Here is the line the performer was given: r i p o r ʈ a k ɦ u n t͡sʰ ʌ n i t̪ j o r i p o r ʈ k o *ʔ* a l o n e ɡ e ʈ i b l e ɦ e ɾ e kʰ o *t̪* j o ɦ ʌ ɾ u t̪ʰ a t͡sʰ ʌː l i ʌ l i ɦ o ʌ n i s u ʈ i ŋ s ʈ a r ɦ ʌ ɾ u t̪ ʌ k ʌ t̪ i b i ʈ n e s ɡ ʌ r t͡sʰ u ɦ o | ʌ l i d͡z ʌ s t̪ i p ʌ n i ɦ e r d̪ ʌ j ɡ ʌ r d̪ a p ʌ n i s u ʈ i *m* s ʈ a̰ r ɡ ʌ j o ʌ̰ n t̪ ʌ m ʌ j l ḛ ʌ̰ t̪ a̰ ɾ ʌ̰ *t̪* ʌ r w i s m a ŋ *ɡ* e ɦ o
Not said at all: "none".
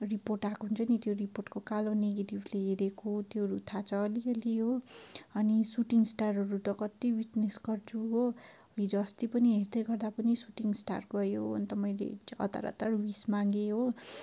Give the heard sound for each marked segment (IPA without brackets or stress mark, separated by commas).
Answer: k, t̪, ŋ, t̪, ɡ